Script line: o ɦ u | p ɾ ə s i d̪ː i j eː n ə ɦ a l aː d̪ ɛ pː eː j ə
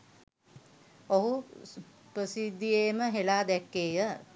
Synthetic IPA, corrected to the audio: o ɦ u | p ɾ ə s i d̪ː i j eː m ə ɦ e l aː d̪ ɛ kː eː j ə